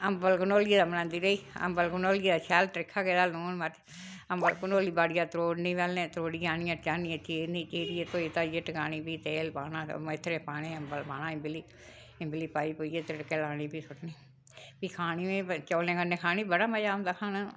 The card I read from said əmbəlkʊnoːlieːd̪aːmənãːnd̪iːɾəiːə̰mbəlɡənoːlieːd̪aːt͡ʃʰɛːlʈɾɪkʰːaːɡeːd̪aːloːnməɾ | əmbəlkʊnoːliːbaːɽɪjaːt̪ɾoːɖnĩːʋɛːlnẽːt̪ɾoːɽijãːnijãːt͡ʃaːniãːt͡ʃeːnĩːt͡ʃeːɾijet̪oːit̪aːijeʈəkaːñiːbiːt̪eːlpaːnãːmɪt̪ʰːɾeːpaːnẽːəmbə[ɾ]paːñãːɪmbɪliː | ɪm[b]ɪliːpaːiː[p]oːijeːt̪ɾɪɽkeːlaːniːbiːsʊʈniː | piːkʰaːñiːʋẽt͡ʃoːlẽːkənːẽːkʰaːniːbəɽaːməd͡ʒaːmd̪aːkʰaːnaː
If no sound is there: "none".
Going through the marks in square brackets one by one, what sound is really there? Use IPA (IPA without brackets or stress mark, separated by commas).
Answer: l, b, p